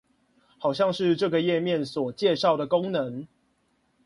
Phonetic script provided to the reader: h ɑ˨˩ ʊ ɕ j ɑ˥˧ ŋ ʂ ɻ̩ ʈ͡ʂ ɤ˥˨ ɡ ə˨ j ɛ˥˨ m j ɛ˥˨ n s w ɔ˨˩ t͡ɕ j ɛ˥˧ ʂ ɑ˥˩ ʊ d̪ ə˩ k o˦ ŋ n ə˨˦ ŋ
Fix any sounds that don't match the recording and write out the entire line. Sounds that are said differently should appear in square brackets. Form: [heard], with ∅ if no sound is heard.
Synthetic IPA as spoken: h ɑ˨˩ ʊ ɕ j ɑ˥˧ ŋ ʂ ɻ̩ ʈ͡ʂ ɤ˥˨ ɡ ə˨ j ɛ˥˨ m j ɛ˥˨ n s w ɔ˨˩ t͡ɕ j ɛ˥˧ ʂ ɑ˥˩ ʊ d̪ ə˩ k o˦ ŋ n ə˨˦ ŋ